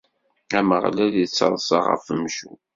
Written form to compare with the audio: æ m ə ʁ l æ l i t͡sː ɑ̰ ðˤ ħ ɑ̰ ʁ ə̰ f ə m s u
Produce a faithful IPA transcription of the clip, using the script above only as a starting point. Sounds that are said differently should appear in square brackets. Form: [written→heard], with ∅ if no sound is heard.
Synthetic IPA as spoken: æ m ə ʁ l æ l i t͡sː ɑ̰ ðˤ [ħ→s] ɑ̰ ʁ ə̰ f ə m [s→ʃ] u